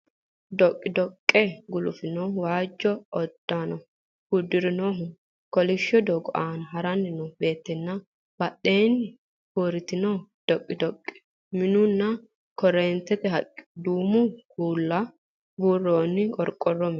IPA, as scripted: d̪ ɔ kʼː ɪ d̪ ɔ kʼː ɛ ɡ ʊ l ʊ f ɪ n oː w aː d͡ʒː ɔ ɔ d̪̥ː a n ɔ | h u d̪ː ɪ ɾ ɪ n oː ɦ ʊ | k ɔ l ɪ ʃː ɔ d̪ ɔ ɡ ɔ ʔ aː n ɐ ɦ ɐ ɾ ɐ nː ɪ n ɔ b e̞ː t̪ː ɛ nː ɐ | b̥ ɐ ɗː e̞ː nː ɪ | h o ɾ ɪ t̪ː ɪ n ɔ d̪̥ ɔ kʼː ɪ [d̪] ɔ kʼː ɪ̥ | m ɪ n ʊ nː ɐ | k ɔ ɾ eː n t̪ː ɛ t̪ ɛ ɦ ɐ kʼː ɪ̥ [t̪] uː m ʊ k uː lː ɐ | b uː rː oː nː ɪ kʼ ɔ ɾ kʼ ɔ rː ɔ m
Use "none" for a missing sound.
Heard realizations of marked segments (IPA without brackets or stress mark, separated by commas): d̪, d̪